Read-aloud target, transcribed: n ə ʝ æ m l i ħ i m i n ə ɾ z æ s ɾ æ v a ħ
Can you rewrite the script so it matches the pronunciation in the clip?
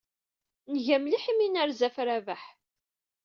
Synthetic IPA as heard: n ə ʝ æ m l i ħ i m i n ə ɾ z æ f ɾ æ v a ħ